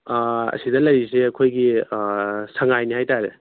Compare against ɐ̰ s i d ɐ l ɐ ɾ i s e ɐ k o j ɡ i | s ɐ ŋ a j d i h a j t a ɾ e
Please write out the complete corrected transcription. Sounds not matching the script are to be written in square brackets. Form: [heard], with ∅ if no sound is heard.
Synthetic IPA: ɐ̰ s i d ɐ l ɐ ɾ i s e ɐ [kʰ] o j ɡ i | s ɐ ŋ a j [n] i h a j t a ɾ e